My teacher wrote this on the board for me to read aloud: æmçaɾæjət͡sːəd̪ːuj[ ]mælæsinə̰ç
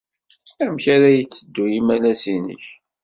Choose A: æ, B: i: B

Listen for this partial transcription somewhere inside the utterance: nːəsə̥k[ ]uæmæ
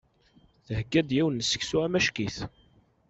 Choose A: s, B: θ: A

